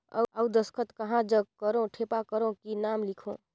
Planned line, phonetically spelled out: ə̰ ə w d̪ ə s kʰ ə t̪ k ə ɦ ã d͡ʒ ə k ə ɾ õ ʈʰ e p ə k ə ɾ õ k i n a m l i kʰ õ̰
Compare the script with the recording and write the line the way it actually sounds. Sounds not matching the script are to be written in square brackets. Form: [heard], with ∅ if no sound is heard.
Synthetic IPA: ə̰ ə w d̪ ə s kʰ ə t̪ k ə ɦ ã d͡ʒ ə k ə ɾ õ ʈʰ e p [a] k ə ɾ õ k i n a m l i kʰ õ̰